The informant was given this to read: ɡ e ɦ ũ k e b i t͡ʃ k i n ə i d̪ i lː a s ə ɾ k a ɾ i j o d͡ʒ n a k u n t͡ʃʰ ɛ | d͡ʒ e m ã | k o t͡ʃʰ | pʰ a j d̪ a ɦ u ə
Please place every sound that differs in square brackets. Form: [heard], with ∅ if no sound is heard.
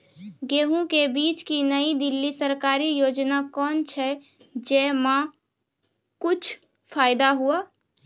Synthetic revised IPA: ɡ e ɦ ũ k e b i t͡ʃ k i n ə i d̪ i lː [i] s ə ɾ k a ɾ i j o d͡ʒ n a k [ɔ] n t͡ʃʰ ɛ | d͡ʒ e m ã | k [u] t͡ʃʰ | pʰ a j d̪ a ɦ u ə